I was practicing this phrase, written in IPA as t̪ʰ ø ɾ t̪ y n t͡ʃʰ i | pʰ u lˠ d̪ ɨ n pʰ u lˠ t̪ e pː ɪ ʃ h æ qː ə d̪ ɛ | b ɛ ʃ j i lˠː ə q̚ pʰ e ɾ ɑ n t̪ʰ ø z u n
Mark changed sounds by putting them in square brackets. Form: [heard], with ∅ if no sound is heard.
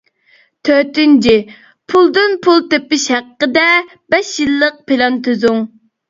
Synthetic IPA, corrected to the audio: t̪ʰ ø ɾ t̪ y n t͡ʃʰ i | pʰ u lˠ d̪ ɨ n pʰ u lˠ t̪ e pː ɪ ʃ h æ qː ə d̪ ɛ | b ɛ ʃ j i lˠː ə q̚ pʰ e [l] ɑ n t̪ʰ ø z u [ŋ]